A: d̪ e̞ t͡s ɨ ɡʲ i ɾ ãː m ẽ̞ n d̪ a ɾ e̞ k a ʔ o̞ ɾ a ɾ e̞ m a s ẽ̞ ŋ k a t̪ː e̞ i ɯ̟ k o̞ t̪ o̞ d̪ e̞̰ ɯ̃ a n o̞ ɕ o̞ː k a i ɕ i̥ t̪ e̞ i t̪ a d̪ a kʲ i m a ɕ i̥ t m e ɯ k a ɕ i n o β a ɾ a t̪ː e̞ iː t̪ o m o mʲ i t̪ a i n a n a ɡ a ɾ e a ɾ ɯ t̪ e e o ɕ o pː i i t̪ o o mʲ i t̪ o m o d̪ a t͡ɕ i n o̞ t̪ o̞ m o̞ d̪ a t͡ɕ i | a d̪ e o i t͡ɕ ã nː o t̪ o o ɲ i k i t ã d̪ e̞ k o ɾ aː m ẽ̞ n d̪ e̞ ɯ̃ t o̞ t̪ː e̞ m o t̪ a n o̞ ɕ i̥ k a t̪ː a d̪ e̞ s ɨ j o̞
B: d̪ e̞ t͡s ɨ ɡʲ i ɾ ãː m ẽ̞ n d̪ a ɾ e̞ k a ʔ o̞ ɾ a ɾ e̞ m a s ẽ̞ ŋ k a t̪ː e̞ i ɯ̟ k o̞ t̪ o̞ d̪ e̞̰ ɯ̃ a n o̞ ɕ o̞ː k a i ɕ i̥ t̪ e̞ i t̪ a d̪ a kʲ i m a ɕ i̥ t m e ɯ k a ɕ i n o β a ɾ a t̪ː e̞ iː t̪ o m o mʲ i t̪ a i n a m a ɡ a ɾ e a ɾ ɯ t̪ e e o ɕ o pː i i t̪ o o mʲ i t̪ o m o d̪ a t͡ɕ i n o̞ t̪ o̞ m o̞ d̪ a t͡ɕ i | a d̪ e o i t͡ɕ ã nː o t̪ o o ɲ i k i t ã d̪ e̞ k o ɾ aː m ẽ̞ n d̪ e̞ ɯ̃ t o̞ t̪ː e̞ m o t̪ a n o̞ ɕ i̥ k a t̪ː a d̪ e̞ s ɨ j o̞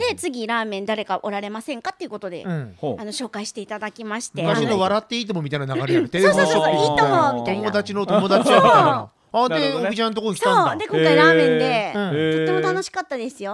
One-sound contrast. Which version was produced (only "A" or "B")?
A